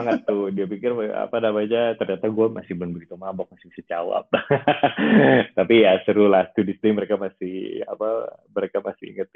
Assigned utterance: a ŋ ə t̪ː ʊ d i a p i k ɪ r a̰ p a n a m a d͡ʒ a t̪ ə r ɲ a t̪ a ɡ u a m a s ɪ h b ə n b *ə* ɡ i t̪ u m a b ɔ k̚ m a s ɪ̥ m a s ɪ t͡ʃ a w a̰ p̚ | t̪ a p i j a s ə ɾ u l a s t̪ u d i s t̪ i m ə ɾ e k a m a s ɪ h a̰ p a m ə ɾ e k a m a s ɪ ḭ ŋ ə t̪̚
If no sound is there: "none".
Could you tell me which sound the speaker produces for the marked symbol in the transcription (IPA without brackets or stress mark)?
ə